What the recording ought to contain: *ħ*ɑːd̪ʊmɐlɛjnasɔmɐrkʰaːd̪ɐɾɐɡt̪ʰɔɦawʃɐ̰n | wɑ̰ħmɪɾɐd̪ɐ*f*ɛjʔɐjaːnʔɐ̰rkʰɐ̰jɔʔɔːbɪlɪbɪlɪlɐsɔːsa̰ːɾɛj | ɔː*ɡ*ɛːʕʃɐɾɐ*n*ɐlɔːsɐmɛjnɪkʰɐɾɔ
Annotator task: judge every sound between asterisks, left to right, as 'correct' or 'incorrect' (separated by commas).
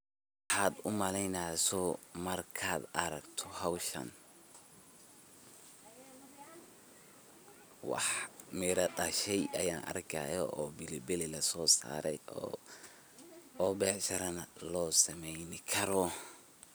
correct, incorrect, incorrect, correct